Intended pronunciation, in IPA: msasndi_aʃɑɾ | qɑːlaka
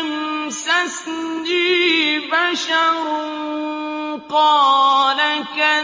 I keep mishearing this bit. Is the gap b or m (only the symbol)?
b